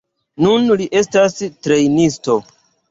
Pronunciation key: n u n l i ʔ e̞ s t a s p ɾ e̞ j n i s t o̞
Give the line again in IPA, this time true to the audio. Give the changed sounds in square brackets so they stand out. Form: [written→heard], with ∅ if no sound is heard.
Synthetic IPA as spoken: n u n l i ʔ e̞ s t a s [p→t] ɾ e̞ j n i s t o̞